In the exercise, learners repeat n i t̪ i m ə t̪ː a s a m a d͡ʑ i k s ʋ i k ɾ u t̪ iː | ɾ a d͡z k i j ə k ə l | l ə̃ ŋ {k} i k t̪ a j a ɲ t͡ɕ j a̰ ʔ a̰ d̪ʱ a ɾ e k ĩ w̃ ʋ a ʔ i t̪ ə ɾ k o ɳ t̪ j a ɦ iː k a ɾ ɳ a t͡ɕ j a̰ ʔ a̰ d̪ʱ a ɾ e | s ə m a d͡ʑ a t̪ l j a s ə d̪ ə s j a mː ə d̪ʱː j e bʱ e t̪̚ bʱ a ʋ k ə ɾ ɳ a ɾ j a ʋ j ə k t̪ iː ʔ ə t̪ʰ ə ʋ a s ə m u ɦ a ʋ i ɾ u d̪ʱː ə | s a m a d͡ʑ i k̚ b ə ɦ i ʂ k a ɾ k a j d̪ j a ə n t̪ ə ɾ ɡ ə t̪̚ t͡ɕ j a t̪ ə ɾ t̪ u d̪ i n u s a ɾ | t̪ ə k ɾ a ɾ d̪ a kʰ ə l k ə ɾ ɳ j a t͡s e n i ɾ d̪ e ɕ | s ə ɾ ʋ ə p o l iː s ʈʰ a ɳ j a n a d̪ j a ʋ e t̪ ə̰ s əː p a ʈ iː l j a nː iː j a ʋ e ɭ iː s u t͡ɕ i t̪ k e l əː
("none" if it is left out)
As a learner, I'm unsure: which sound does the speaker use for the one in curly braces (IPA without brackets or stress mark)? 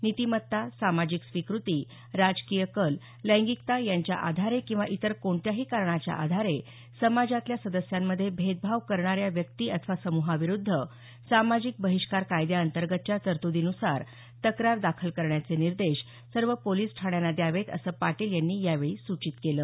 ɡ